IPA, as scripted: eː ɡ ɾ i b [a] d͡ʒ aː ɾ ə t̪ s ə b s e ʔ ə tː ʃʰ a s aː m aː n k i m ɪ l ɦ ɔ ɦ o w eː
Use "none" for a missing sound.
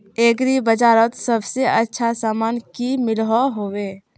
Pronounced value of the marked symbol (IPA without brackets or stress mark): ə